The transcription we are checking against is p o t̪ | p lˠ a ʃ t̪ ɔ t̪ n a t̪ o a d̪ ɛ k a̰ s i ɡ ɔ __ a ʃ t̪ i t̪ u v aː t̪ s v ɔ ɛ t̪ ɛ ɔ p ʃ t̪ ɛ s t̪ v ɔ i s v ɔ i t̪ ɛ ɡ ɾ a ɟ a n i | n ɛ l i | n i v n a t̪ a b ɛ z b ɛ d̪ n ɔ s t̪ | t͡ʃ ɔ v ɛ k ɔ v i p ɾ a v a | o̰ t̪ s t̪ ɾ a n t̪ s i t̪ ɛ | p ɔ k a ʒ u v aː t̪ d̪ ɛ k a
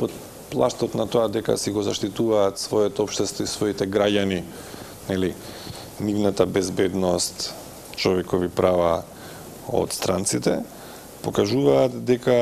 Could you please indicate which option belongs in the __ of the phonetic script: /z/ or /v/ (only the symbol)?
z